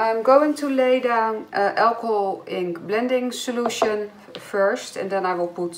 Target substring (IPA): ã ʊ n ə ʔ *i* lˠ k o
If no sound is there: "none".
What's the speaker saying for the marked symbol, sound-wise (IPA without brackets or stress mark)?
ɛ